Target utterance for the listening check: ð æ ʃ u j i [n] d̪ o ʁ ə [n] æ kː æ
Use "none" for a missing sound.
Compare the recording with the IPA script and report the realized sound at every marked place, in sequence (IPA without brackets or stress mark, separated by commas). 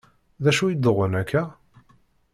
none, n